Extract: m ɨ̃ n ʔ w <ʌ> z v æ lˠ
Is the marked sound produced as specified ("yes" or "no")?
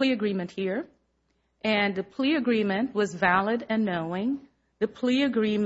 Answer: yes